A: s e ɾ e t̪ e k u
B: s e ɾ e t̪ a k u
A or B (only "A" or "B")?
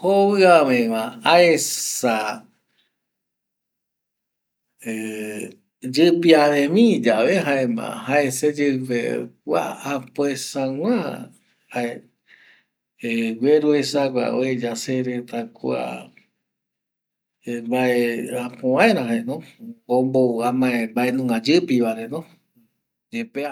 B